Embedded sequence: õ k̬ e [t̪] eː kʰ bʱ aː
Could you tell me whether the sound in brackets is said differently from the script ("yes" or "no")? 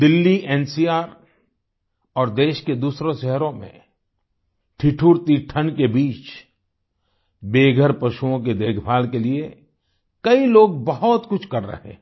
yes